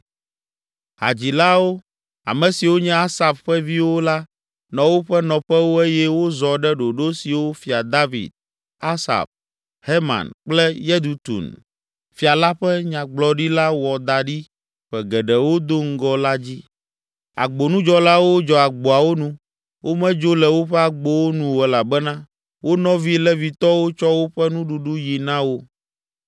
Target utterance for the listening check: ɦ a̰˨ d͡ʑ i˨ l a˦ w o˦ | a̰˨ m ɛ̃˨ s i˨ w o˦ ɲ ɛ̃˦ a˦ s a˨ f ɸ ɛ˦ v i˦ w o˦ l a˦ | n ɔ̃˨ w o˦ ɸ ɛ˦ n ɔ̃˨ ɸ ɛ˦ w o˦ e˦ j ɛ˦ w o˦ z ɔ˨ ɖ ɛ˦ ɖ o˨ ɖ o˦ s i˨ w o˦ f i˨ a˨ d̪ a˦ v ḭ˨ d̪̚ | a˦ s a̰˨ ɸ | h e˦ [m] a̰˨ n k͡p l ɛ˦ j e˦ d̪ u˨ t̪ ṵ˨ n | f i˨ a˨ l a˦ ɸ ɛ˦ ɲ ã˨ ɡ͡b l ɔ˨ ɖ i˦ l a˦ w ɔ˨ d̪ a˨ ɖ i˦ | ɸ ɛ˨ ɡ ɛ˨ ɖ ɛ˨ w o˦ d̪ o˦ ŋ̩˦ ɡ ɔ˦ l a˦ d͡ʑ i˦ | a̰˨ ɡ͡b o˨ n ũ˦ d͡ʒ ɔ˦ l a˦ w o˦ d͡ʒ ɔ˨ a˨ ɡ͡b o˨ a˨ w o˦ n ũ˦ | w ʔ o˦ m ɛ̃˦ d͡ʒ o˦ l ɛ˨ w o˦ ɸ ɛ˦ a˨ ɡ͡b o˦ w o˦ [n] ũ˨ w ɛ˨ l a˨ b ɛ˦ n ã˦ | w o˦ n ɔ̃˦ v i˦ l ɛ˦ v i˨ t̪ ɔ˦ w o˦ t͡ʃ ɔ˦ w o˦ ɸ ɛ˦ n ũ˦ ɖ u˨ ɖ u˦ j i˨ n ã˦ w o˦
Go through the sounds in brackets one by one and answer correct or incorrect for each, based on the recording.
correct, correct

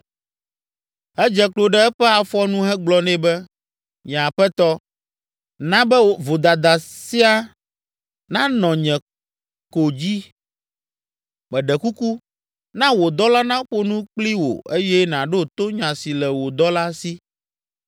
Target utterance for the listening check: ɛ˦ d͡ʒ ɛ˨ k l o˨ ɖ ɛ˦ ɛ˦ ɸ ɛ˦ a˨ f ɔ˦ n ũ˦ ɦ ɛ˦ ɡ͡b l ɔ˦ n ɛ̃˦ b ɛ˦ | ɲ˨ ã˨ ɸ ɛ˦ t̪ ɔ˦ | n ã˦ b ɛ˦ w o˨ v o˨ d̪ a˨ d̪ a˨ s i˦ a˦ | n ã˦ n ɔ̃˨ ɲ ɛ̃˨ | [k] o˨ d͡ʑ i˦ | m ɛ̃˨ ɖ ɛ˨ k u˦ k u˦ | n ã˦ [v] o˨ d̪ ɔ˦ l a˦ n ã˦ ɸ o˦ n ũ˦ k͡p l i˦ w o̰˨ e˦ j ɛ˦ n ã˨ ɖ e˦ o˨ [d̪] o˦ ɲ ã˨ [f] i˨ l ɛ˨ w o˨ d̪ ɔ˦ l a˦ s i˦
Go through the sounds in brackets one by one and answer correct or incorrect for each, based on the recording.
correct, incorrect, incorrect, incorrect

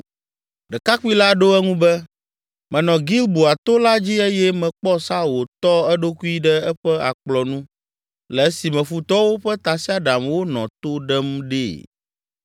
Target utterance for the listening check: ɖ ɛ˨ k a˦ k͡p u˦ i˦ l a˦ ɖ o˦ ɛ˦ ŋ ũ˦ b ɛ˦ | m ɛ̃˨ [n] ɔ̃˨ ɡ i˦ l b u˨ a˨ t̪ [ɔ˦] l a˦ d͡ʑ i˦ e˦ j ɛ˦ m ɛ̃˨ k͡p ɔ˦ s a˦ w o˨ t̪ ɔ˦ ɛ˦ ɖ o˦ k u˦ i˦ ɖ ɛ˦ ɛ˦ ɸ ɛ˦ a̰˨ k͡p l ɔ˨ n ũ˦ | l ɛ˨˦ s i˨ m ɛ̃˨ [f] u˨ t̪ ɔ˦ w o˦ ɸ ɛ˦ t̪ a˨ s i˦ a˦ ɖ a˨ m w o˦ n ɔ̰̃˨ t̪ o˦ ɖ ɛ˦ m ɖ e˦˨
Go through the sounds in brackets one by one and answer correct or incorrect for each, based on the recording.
correct, incorrect, correct

